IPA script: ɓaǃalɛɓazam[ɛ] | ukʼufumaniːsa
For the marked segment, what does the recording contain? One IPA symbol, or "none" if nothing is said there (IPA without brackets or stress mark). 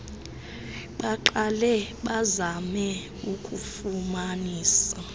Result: ɛ